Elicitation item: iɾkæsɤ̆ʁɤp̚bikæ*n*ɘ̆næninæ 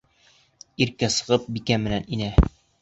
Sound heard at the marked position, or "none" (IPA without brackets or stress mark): m